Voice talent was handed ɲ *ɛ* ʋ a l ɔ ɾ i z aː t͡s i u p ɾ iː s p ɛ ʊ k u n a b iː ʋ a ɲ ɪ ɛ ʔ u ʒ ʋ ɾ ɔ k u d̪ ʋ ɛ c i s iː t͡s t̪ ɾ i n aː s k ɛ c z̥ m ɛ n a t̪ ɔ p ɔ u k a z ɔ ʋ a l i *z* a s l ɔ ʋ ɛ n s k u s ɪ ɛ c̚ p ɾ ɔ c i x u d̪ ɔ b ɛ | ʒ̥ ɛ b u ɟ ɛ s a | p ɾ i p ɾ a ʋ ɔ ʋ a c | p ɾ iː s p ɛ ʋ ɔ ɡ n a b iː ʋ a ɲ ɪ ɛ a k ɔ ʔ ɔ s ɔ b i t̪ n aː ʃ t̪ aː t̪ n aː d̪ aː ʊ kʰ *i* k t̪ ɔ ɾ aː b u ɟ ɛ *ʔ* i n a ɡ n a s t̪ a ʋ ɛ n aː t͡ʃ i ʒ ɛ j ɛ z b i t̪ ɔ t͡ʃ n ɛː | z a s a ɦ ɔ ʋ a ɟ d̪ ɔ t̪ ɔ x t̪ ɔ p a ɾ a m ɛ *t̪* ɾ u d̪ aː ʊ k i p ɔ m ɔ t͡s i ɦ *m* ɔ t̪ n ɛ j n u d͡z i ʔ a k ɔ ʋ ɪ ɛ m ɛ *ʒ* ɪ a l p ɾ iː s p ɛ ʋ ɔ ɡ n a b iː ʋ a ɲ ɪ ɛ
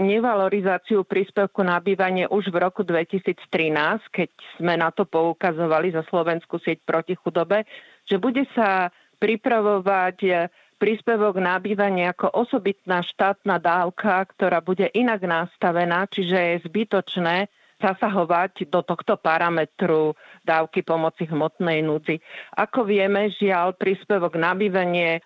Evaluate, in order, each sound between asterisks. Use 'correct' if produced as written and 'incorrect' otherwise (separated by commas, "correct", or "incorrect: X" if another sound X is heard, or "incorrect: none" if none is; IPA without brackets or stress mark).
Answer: correct, correct, incorrect: a, correct, correct, correct, correct